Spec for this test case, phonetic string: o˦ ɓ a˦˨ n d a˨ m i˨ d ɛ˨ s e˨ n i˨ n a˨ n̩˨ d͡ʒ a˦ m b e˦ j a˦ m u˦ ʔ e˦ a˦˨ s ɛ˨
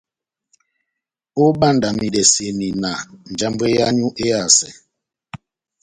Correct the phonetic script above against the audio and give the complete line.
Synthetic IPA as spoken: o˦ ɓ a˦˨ n d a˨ m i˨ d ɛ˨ s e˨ n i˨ n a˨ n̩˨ d͡ʒ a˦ m b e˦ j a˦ ɲ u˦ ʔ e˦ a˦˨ s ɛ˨